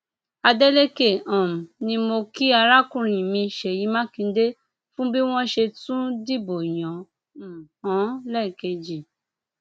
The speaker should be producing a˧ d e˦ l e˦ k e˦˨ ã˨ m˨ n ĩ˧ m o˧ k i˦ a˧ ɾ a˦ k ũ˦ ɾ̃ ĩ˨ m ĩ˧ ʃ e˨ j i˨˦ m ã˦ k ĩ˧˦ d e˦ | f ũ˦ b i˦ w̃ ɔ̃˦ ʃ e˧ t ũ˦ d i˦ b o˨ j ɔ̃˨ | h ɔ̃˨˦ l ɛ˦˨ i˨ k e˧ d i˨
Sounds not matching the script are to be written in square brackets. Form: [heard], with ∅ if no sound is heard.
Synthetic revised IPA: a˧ d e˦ l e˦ k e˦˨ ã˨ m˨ n ĩ˧ m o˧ k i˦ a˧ ɾ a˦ k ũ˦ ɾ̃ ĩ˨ m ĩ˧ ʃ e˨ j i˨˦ m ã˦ k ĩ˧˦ d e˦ | f ũ˦ b i˦ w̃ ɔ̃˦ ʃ e˧ t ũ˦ d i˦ b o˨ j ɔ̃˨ | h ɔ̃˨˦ l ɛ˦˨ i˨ k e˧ [d͡ʒ] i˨

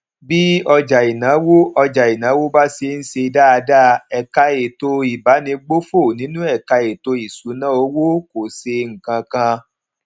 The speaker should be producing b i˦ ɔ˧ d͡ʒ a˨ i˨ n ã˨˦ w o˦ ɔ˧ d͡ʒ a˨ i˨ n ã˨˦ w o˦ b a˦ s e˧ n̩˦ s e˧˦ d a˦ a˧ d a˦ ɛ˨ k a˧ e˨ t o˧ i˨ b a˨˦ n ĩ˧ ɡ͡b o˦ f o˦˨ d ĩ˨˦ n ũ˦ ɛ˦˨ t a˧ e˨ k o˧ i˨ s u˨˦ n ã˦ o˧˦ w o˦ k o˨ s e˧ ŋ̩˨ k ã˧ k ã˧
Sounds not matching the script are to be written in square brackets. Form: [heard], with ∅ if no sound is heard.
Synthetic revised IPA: b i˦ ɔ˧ d͡ʒ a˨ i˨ n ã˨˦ w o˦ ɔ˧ d͡ʒ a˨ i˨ n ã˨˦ w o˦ b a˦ s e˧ n̩˦ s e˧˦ d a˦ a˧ d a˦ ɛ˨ k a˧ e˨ t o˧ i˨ b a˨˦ n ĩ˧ ɡ͡b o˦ f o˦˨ [n] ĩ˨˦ n ũ˦ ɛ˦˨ [k] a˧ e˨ [t] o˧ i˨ s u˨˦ n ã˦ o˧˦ w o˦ k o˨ s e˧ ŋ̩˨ k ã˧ k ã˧

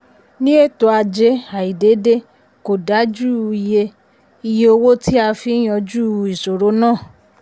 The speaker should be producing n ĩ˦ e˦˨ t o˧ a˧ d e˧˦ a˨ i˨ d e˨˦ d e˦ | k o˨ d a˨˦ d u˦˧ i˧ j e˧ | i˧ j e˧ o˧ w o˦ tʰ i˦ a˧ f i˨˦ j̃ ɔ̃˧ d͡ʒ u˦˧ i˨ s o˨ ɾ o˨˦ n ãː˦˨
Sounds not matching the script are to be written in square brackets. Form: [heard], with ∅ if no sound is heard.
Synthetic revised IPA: n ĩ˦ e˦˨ t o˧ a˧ [d͡ʒ] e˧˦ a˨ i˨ d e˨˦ d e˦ | k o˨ d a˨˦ [d͡ʒ] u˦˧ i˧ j e˧ | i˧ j e˧ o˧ w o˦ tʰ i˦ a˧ f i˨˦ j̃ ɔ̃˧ d͡ʒ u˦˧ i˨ s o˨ ɾ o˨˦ n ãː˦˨

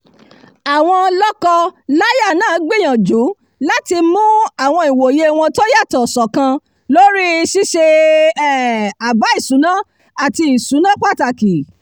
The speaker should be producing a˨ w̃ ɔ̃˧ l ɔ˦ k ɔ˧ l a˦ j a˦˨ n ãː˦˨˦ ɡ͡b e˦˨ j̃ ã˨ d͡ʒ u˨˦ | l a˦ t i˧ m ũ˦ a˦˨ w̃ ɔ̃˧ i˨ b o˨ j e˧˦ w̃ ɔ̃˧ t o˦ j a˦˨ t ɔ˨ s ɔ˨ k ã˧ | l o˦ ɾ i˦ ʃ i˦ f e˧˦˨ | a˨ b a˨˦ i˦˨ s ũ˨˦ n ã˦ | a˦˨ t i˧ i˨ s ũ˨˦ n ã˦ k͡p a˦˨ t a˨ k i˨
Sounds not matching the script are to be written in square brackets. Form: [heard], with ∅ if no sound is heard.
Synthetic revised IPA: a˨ w̃ ɔ̃˧ l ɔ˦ k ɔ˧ l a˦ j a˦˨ n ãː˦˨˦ ɡ͡b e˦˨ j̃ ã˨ d͡ʒ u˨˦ | l a˦ t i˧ m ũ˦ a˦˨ w̃ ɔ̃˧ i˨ [w] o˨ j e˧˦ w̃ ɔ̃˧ t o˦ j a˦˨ t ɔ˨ s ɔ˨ k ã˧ | l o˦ ɾ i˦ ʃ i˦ [ʃ] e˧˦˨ | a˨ b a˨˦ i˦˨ s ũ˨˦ n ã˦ | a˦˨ t i˧ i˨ s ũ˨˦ n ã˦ k͡p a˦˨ t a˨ k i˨

